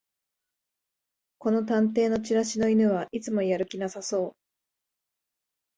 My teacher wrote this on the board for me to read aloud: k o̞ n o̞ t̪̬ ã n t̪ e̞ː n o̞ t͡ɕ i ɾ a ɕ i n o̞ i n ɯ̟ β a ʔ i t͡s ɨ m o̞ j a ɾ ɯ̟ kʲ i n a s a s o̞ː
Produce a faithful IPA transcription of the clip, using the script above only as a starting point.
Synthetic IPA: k o̞ n o̞ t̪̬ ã n t̪ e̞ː n o̞ t͡ɕ i ɾ a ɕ i n o̞ i n ɯ̟ β a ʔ i t͡s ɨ m o̞ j a ɾ ɯ̟ kʲ i n a s a s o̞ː